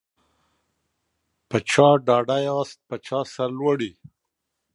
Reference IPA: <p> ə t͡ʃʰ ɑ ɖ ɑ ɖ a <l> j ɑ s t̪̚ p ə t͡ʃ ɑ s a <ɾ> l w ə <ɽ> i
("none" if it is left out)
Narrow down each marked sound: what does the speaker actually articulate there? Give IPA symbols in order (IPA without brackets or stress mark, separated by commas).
p, none, ɾ, ɽ